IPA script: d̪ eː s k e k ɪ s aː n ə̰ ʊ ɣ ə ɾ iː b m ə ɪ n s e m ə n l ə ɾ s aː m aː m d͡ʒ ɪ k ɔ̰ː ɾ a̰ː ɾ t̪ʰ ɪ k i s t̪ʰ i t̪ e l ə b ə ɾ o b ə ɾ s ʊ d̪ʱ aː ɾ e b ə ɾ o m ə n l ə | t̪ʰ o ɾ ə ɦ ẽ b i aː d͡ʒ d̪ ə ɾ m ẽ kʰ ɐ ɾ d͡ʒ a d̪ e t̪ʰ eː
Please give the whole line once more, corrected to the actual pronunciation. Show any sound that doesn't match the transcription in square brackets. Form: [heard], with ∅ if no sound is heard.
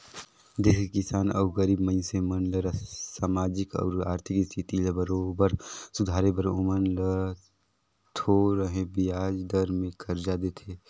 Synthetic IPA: d̪ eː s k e k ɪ s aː n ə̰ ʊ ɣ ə ɾ iː b m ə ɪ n s e m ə n l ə ɾ s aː m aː [∅] d͡ʒ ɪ k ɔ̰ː ɾ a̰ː ɾ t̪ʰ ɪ k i s t̪ʰ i t̪ [i] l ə b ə ɾ o b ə ɾ s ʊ d̪ʱ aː ɾ e b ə ɾ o m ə n l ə | t̪ʰ o ɾ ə ɦ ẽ b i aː d͡ʒ d̪ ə ɾ m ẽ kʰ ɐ ɾ d͡ʒ a d̪ e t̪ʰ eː